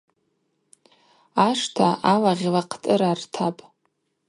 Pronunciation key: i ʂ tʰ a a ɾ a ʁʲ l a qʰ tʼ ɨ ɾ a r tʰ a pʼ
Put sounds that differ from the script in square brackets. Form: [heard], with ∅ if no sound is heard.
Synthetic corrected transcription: [a] ʂ tʰ a a [l] a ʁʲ l a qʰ tʼ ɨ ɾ a r tʰ a pʼ